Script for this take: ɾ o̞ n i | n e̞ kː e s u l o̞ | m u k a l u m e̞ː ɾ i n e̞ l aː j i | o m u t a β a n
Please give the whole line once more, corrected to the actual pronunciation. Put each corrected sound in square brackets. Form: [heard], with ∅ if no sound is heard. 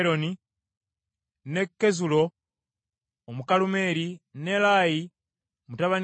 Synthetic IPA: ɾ o̞ n i | n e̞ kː e [z] u l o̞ | m u k a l u m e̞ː ɾ i n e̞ l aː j i | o m u t a β a n